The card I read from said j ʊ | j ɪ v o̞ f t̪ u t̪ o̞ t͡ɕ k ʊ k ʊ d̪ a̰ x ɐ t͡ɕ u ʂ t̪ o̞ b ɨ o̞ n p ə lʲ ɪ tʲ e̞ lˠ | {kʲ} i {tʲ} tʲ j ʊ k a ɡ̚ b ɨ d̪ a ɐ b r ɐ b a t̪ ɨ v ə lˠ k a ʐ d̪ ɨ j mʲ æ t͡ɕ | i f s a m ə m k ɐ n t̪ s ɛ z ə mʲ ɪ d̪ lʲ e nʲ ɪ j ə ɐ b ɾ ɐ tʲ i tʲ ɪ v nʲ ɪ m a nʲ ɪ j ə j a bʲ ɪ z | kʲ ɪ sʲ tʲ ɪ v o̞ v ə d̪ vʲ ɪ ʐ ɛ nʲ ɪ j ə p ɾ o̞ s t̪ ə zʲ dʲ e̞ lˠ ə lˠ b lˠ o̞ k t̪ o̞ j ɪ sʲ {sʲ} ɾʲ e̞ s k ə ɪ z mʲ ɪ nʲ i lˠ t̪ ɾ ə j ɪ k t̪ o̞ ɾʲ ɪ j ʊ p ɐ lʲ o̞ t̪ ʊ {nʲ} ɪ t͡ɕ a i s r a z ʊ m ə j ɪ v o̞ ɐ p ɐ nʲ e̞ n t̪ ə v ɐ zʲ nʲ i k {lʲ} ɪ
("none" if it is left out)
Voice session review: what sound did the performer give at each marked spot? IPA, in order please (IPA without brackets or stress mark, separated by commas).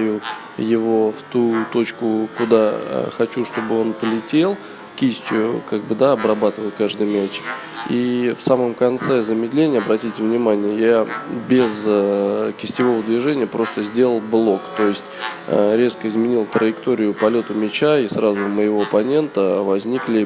kʲ, sʲ, tʲ, mʲ, lʲ